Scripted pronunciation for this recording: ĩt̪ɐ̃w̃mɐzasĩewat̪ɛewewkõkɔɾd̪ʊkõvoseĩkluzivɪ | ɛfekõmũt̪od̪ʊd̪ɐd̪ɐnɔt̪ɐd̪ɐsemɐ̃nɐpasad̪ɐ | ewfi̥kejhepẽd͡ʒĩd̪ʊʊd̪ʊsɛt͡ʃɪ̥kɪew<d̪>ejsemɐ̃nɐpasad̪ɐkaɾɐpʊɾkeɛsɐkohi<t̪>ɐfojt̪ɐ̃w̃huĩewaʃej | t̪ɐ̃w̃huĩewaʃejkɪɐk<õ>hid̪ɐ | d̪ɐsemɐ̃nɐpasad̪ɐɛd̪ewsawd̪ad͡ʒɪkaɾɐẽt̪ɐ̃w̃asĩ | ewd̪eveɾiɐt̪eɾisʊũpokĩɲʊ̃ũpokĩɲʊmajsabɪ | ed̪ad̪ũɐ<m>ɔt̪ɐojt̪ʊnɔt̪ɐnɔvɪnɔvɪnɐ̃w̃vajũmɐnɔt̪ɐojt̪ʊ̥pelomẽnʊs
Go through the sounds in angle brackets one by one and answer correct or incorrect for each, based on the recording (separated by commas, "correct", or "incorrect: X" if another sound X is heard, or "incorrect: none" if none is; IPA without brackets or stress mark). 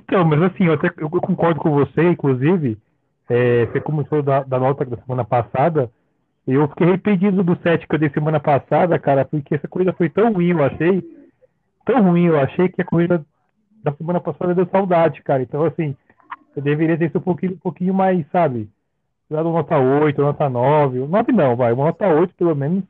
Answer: correct, incorrect: d̪, incorrect: o, incorrect: n